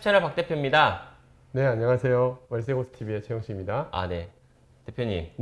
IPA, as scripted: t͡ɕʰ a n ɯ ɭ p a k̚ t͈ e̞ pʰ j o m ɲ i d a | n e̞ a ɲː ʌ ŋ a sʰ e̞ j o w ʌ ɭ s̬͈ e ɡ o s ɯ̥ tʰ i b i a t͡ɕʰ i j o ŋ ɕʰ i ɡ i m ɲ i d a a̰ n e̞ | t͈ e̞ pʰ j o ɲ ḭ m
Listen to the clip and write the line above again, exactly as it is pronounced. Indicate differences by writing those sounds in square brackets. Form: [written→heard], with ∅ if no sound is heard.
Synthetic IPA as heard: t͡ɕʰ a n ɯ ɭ p a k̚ t͈ e̞ pʰ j o m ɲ i d a | n e̞ a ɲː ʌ ŋ a sʰ e̞ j o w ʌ ɭ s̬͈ e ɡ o s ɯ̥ tʰ i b i [a→e] t͡ɕʰ [i→e] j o ŋ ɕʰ i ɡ i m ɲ i d a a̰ n e̞ | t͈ e̞ pʰ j o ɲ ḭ m